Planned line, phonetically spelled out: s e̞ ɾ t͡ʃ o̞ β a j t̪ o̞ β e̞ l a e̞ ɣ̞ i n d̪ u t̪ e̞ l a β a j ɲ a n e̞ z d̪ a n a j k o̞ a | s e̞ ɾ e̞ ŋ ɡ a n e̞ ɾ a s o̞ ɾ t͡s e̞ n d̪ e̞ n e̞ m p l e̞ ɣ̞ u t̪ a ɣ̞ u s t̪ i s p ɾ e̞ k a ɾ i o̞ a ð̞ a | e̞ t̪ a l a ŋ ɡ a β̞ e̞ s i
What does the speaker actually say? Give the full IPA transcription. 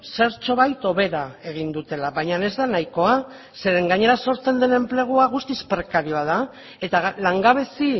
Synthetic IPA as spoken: s e̞ ɾ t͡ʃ o̞ β a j t̪ o̞ β e̞ ɾ a e̞ ɣ̞ i n d̪ u t̪ e̞ l a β a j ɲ a n e̞ z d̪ a n a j k o̞ a | s e̞ ɾ e̞ ŋ ɡ a ɲ e̞ ɾ a s o̞ ɾ t͡s e̞ n d̪ e̞ n e̞ m p l e̞ ɣ̞ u a ɣ̞ u s t̪ i s p ɾ e̞ k a ɾ i o̞ a ð̞ a | e̞ t̪ a l a ŋ ɡ a β̞ e̞ s i

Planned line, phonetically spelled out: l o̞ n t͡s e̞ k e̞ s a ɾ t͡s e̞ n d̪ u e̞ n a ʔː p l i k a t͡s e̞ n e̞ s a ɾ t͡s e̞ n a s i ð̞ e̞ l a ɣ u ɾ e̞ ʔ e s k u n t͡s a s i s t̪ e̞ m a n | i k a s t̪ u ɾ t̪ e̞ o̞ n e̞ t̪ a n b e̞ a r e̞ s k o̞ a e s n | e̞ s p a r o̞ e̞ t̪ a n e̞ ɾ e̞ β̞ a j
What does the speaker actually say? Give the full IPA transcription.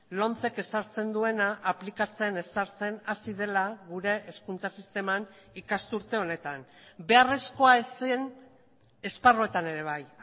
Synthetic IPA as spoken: l o̞ n t͡s e̞ k e̞ s a ɾ t͡s e̞ n d̪ u e̞ n a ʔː p l i k a t͡s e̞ n e̞ s a ɾ t͡s e̞ n a s i ð̞ e̞ l a ɣ u ɾ e̞ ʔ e s k u n t͡s a s i s t̪ e̞ m a n | i k a s t̪ u ɾ t̪ e̞ o̞ n e̞ t̪ a n b e̞ a r e̞ s k o̞ a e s n | e̞ s p a r o̞ e̞ t̪ a n e̞ ɾ e̞ β̞ a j

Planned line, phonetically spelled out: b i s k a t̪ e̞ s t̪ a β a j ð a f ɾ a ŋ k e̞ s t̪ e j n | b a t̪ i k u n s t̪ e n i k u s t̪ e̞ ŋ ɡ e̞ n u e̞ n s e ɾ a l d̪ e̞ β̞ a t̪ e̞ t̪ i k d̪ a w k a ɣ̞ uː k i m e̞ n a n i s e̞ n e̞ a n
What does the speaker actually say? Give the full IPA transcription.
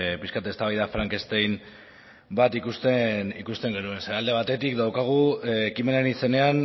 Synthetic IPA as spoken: p i s k a t̪ e̞ s t̪ a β a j ð a f ɾ a ŋ k e̞ s t̪ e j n | b a t̪ i k u s t̪ e n i k u s t̪ e̞ ŋ ɡ e̞ n u e̞ n s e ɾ a l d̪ e̞ β̞ a t̪ e̞ t̪ i k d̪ a w k a ɣ̞ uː k i m e̞ n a n i s e̞ n e̞ a n

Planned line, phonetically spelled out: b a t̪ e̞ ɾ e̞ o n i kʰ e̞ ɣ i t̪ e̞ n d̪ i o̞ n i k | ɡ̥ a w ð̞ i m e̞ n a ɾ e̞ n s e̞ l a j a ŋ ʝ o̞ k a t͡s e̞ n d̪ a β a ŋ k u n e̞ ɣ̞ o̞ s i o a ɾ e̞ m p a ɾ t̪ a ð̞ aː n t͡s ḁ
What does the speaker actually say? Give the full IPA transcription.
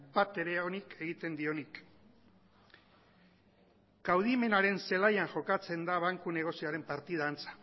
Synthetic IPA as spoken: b a t̪ e̞ ɾ e̞ o n i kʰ e̞ ɣ i t̪ e̞ n d̪ i o̞ n i k | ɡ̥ a w ð̞ i m e̞ n a ɾ e̞ n s e̞ l a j a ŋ ʝ o̞ k a t͡s e̞ n d̪ a β a ŋ k u n e̞ ɣ̞ o̞ s i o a ɾ e̞ m p a ɾ t̪ i ð̞ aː n t͡s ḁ

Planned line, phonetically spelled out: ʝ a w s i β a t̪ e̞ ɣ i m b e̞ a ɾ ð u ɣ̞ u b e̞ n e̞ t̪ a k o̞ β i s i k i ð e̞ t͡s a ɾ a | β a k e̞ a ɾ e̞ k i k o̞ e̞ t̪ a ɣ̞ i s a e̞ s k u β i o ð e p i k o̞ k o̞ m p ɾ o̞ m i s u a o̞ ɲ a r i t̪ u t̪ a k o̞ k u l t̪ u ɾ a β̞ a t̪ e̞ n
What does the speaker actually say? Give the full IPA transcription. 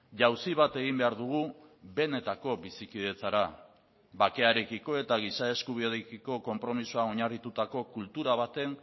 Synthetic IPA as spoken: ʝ a w s i β a t̪ e̞ ɣ i m b e̞ a ɾ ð u ɣ̞ u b e̞ n e̞ t̪ a k o̞ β i s i k i ð e̞ t͡s a ɾ a | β a k e̞ a ɾ e̞ k i k o̞ e̞ t̪ a ɣ̞ i s a e̞ s k u β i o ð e k i k o̞ k o̞ m p ɾ o̞ m i s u a o̞ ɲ a r i t̪ u t̪ a k o̞ k u l t̪ u ɾ a β̞ a t̪ e̞ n

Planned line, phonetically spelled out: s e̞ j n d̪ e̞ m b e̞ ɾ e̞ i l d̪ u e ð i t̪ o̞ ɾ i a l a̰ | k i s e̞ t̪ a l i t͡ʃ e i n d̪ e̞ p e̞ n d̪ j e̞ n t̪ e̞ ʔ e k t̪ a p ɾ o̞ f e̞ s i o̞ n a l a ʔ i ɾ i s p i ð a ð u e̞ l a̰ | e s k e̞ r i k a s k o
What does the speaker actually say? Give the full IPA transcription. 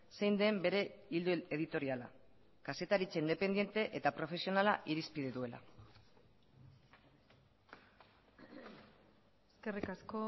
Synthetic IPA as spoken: s e̞ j n d̪ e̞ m b e̞ ɾ e̞ i l d̪ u e ð i t̪ o̞ ɾ i a l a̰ | k a s e̞ t̪ a ɾ i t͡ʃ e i n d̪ e̞ p e̞ n d̪ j e̞ n t̪ e̞ ʔ e t̪ a p ɾ o̞ f e̞ s i o̞ n a l a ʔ i ɾ i s p i ð e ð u e̞ l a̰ | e s k e̞ r i k a s k o

